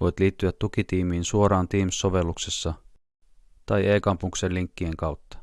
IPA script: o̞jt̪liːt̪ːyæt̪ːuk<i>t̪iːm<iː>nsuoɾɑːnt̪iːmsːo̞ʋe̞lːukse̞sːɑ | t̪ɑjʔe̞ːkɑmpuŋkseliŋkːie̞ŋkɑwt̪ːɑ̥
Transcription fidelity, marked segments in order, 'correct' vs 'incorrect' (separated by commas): correct, correct